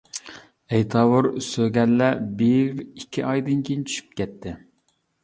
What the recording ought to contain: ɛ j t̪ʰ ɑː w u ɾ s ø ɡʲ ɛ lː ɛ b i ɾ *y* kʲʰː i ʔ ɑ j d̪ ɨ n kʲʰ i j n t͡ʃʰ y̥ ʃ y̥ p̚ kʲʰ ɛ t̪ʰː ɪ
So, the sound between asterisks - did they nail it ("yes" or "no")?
no